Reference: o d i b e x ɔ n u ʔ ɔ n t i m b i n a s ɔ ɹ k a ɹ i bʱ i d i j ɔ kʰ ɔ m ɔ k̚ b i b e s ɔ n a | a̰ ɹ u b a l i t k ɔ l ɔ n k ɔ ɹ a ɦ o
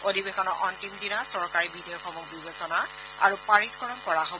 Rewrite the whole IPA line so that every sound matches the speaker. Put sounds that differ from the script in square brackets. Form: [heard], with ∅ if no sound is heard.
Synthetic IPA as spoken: o d i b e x ɔ n [ɔ] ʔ ɔ n t i m [d] i n a s ɔ ɹ k a ɹ i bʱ i d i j ɔ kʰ ɔ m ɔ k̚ b i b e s ɔ n a | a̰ ɹ u [p] a [ɹ] i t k ɔ [ɹ] ɔ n k ɔ ɹ a ɦ o

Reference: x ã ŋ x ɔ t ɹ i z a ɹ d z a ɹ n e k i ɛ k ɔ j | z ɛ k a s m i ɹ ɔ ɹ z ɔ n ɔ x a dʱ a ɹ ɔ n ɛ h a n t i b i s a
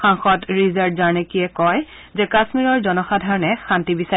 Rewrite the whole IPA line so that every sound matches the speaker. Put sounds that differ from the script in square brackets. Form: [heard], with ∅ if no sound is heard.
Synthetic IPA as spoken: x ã ŋ x ɔ t ɹ i z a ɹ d z a ɹ n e k i ɛ k ɔ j | z ɛ k a s m i ɹ ɔ ɹ z ɔ n ɔ x a dʱ a ɹ ɔ n ɛ [x] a n t i b i s a

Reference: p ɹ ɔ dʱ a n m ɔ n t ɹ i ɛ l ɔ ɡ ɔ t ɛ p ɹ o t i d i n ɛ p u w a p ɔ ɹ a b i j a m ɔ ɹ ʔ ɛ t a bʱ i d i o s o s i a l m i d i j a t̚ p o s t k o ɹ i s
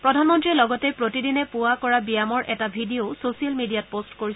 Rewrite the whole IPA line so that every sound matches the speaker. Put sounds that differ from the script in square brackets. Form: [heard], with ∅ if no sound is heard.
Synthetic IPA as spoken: p ɹ ɔ dʱ a n m ɔ n t ɹ i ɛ l ɔ ɡ ɔ t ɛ p ɹ o t i d i n ɛ p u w a [k] ɔ ɹ a b i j a m ɔ ɹ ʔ ɛ t a bʱ i d i o s o s i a l m i d i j a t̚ p o s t k o ɹ i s

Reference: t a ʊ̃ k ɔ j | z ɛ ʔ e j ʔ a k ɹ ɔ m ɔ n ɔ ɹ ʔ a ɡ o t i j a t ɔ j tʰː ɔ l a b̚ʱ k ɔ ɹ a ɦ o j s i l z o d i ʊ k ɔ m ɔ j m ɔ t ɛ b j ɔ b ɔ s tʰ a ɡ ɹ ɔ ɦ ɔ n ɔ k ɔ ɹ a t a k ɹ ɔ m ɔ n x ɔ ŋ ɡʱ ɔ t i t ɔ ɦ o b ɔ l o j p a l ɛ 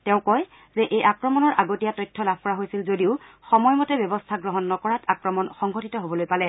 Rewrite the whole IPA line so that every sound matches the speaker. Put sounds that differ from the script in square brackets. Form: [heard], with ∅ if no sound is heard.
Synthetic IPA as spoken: t [ɛ] ʊ̃ k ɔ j | z ɛ ʔ e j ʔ a k ɹ ɔ m ɔ n ɔ ɹ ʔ a ɡ o t i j a t ɔ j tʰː ɔ l a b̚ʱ k ɔ ɹ a ɦ o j s i l z o d i ʊ [x] ɔ m ɔ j m ɔ t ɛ b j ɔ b ɔ s tʰ a ɡ ɹ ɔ ɦ ɔ [nː] ɔ k ɔ ɹ a t a k ɹ ɔ m ɔ n x ɔ ŋ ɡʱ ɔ t i t ɔ ɦ o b ɔ l o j p a l ɛ

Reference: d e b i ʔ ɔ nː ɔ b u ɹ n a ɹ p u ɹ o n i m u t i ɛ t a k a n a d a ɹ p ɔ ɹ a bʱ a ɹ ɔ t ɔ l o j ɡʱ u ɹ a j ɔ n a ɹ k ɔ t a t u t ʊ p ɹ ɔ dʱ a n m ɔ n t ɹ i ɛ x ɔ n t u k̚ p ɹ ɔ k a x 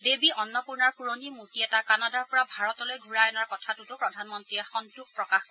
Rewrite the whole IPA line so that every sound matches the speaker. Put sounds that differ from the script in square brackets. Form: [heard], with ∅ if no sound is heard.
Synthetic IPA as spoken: d e b i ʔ ɔ nː ɔ [p] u ɹ n a ɹ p u ɹ o n i m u t i ɛ t a k a n a d a ɹ p ɔ ɹ a bʱ a ɹ ɔ t ɔ l o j ɡʱ u ɹ a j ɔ n a ɹ k ɔ [tʰ] a t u t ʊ p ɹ ɔ dʱ a n m ɔ n t ɹ i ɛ x ɔ n t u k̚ p ɹ ɔ k a x

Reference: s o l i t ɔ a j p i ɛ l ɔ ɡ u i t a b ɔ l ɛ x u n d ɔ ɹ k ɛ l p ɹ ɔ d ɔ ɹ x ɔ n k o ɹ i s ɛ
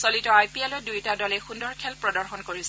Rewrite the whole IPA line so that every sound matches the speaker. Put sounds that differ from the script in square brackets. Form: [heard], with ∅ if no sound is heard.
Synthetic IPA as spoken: s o l i t ɔ a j p i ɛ l ɔ [d] u [j] t a [d] ɔ l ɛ x u n d ɔ ɹ [kʰ] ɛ l p ɹ ɔ d ɔ ɹ x ɔ n k o ɹ i s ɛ

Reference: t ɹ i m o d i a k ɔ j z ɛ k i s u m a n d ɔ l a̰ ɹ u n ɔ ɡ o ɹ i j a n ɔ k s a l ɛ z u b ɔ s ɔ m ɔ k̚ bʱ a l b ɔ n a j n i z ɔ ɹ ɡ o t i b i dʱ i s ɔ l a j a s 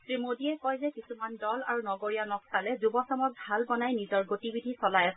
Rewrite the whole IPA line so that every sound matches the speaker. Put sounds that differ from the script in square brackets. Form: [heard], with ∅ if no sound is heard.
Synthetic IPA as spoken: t ɹ i m o d i [ɛ] k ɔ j z ɛ k i s u m a n d ɔ l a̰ ɹ u n ɔ ɡ o ɹ i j a n ɔ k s a l ɛ z u b ɔ s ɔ m ɔ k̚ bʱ a l b ɔ n a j n i z ɔ ɹ ɡ o t i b i dʱ i s ɔ l a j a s

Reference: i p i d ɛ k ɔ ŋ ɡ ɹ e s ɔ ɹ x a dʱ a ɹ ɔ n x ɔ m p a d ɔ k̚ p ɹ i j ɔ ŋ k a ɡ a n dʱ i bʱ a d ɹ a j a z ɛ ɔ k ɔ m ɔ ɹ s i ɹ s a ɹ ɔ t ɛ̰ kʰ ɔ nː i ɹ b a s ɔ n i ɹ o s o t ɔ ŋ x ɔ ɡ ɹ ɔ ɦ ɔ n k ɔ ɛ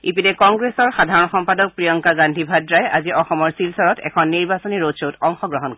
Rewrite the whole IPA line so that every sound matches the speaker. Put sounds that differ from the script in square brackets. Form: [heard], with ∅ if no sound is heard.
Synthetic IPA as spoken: i p i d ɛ k ɔ ŋ ɡ ɹ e s ɔ ɹ x a dʱ a ɹ ɔ n x ɔ m p a d ɔ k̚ p ɹ i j ɔ ŋ k a ɡ a n dʱ i bʱ a d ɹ a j a z [i] ɔ [x] ɔ m ɔ ɹ s i [l] s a ɹ ɔ t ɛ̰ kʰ ɔ nː i ɹ b a s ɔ n i ɹ o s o t ɔ ŋ x ɔ ɡ ɹ ɔ ɦ ɔ n k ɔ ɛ

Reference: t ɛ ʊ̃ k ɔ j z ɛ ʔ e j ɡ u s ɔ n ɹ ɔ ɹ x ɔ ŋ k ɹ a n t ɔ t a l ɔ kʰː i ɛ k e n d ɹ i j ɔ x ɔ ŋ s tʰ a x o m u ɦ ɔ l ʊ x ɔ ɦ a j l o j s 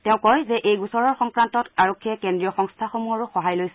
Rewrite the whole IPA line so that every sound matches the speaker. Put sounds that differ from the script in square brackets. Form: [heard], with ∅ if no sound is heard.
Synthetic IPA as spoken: t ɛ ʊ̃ k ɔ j z ɛ ʔ e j ɡ u s ɔ [∅] ɹ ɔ ɹ x ɔ ŋ k ɹ a n t ɔ t a [ɹ] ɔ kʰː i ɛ k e n d ɹ i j ɔ x ɔ ŋ s tʰ a x o m u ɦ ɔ [ɹ] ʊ x ɔ ɦ a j l o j s

